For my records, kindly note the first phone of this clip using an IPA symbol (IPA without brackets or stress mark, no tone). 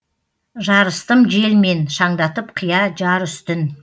ʒ